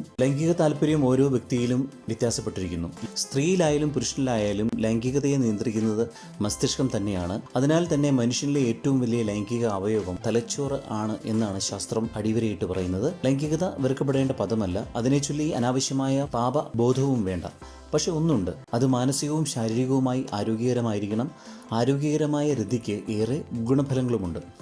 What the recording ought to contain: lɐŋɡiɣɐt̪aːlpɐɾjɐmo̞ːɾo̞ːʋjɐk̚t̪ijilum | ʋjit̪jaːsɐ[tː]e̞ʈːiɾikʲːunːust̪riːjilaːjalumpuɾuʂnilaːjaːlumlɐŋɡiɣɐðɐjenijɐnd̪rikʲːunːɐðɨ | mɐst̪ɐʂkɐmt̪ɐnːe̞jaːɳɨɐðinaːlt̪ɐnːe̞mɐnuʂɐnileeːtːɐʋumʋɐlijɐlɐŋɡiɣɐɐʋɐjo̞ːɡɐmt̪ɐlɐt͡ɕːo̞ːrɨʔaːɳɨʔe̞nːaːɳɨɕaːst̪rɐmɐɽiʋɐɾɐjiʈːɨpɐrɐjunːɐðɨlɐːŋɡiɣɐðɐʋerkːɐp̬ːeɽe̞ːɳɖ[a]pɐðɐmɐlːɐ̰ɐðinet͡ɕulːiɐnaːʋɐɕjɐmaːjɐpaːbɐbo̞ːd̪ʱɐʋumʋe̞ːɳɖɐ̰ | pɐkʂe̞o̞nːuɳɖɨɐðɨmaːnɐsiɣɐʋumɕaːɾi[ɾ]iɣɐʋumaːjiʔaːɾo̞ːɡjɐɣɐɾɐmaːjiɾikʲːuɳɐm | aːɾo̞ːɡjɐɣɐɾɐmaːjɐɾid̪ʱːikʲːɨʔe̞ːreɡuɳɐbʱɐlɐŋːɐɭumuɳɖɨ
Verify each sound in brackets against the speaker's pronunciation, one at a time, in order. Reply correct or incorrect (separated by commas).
incorrect, incorrect, correct